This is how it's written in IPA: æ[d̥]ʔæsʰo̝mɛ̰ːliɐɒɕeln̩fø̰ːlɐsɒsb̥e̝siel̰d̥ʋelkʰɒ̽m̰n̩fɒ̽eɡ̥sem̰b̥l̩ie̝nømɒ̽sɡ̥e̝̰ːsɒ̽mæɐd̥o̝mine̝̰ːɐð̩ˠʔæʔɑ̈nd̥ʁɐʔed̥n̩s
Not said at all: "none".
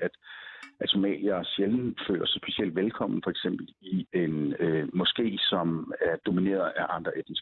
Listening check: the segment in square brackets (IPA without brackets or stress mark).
d̥